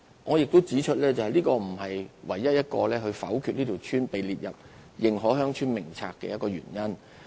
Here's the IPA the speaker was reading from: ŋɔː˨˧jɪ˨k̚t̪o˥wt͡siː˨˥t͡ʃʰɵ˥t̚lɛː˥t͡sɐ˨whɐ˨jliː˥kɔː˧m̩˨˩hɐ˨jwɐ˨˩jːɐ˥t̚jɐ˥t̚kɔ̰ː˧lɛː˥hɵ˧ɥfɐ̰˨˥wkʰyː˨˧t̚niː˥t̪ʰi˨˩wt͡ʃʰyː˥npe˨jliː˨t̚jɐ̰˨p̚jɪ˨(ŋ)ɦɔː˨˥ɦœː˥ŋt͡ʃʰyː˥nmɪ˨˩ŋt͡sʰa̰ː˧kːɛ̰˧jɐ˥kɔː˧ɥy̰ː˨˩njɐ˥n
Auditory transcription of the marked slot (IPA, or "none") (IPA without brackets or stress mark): ŋ